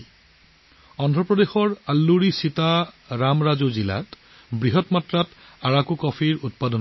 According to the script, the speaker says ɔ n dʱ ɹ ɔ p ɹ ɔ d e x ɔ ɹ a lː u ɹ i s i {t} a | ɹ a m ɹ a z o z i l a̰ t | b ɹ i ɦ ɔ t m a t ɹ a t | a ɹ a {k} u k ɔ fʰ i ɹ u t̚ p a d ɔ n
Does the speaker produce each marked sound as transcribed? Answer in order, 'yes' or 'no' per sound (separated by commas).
yes, yes